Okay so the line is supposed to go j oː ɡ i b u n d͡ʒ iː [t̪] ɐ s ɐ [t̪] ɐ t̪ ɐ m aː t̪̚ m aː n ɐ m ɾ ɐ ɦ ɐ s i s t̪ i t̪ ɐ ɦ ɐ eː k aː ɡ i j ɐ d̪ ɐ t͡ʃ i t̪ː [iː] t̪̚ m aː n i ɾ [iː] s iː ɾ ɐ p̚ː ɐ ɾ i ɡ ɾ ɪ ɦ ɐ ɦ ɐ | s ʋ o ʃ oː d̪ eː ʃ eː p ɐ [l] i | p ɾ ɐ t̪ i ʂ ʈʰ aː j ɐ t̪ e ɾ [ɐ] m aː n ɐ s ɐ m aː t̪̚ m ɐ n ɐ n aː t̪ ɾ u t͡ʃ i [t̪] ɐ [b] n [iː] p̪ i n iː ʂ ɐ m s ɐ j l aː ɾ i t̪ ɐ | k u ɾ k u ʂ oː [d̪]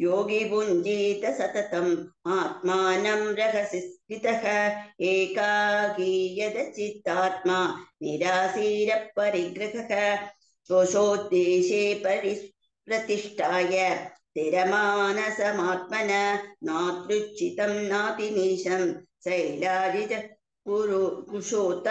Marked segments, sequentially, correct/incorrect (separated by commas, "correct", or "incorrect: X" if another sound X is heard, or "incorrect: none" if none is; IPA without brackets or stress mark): correct, correct, incorrect: aː, incorrect: aː, incorrect: ɾ, correct, correct, incorrect: m, incorrect: aː, incorrect: t̪